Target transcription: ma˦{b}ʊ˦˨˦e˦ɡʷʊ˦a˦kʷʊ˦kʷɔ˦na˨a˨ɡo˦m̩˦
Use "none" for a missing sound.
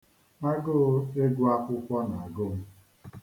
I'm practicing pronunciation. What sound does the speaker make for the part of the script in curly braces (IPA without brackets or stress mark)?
ɡ